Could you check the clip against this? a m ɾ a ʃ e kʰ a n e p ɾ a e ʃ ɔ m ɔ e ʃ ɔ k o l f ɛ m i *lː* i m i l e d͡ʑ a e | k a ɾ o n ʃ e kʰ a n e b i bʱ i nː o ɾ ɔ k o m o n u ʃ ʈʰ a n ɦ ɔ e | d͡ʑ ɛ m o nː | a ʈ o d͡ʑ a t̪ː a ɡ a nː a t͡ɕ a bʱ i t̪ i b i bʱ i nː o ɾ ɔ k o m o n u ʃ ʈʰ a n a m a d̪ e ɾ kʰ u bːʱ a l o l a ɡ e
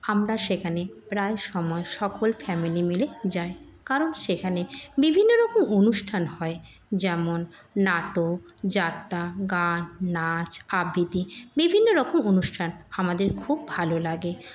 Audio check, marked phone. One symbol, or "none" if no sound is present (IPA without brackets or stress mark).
l